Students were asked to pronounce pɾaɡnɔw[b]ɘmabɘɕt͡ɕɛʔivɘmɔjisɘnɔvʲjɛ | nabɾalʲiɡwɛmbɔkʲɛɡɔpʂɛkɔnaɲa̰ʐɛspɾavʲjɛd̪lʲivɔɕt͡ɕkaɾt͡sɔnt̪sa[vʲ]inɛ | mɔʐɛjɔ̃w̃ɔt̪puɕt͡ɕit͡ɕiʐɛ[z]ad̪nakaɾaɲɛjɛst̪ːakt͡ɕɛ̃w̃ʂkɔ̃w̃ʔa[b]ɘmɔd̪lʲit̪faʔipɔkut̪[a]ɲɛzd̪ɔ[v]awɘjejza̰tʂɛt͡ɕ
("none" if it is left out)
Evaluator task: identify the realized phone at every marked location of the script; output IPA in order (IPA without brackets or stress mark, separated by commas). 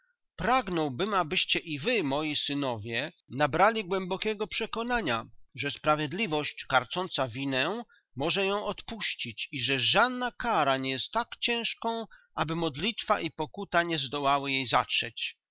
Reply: b, vʲ, ʐ, b, a, w